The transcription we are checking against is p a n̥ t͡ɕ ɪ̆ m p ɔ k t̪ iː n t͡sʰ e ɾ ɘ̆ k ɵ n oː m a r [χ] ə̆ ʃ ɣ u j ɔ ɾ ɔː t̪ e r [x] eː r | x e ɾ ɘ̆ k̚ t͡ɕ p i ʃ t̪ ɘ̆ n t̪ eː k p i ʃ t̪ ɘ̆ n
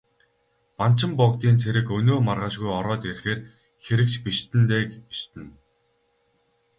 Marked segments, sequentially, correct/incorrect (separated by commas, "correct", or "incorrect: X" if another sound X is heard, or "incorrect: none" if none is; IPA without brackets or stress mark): incorrect: ʁ, correct